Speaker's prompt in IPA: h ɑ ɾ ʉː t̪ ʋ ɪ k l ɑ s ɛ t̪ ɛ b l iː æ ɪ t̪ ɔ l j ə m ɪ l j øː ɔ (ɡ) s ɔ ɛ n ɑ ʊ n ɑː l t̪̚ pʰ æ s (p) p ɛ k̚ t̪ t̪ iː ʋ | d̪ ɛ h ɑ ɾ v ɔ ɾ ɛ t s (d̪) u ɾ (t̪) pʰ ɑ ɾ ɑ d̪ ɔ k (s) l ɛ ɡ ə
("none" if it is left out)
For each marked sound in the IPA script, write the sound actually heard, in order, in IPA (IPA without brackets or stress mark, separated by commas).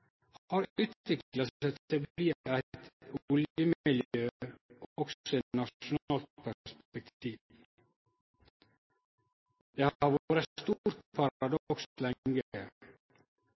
k, p, t̪, t̪, s